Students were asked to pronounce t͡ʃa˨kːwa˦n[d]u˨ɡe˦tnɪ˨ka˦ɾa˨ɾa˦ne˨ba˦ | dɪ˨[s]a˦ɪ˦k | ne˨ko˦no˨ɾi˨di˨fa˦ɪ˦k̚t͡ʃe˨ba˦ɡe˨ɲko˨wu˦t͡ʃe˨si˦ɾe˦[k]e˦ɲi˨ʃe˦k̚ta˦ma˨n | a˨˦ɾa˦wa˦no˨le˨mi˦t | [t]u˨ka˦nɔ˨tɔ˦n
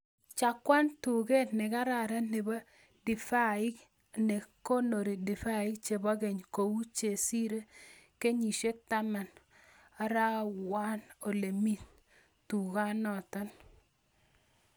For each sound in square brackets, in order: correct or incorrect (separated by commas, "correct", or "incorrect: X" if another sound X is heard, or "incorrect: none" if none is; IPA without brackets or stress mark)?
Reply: incorrect: t, incorrect: f, correct, correct